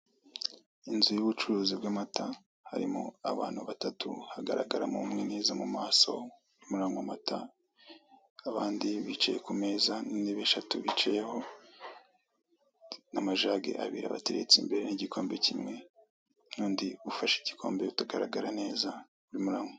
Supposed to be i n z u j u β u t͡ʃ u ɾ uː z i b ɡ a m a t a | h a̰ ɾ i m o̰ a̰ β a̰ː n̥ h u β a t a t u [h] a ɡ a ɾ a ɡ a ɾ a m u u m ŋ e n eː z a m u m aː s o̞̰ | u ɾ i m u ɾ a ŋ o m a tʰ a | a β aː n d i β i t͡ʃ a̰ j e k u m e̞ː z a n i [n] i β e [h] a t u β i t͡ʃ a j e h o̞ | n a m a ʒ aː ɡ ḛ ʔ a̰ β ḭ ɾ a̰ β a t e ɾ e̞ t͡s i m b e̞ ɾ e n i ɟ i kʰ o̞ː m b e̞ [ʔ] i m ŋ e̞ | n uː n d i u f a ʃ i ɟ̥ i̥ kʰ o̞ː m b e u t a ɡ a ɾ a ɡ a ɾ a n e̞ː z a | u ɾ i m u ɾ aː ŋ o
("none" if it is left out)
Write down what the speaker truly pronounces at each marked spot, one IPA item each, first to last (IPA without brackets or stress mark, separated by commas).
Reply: h, n, ʃ, c